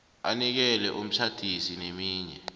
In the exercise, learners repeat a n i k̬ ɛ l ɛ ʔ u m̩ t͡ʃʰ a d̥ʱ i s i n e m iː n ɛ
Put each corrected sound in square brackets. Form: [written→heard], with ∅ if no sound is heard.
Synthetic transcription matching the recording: a n i k̬ ɛ l ɛ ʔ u m̩ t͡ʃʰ a d̥ʱ i s i n e m iː [n→ɲ] ɛ